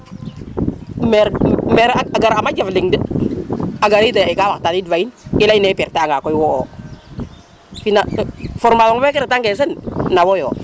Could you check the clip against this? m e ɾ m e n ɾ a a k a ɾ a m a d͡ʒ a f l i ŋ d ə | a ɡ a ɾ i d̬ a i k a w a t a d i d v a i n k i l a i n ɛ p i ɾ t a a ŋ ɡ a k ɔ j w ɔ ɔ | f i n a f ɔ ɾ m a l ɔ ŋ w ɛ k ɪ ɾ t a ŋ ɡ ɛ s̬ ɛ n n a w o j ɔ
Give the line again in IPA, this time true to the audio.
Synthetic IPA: m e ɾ m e ɾ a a ɡ a ɾ a m a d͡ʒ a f l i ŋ d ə | a ɡ a ɾ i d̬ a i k a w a t a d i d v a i n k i l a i n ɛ p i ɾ t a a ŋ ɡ a k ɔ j w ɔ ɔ | f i n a f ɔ ɾ m a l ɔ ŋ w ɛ k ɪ ɾ t a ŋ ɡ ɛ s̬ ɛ n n a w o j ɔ